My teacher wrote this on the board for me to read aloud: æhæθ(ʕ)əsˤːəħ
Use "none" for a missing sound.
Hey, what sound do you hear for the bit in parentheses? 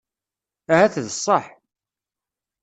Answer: ð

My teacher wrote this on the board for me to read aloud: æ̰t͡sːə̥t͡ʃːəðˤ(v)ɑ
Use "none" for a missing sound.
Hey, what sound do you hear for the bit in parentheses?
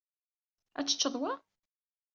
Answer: w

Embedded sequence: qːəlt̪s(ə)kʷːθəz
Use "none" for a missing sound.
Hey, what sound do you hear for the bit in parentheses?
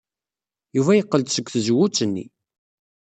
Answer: ə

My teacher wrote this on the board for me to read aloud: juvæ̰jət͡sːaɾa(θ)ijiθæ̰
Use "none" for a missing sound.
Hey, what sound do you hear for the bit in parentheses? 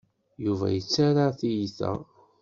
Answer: θ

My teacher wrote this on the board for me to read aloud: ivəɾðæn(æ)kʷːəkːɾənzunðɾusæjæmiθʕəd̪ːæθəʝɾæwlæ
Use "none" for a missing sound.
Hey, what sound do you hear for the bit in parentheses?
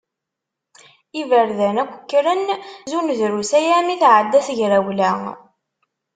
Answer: æ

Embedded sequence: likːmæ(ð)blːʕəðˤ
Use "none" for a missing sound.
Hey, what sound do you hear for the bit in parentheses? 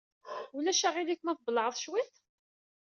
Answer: θ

